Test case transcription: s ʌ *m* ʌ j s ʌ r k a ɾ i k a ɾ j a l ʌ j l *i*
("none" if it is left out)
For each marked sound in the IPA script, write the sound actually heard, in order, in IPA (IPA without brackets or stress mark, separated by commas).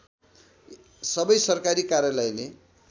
b, e